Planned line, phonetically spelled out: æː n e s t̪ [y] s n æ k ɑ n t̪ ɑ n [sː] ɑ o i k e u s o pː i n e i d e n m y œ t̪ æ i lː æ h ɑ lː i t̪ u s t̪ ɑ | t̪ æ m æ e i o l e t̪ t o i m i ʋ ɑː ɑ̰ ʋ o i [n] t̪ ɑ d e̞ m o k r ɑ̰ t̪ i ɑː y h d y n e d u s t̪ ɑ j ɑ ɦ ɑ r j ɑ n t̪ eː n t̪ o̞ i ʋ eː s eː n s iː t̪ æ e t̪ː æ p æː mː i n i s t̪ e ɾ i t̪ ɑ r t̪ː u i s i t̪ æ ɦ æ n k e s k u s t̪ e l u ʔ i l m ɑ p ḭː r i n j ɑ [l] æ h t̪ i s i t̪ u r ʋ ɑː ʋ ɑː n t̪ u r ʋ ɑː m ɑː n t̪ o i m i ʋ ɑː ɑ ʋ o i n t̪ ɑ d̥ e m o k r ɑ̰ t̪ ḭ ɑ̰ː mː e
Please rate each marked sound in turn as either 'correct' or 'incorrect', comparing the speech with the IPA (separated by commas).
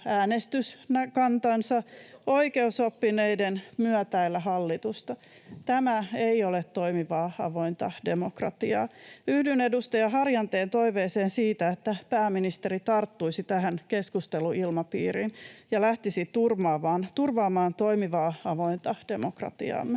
correct, incorrect, correct, correct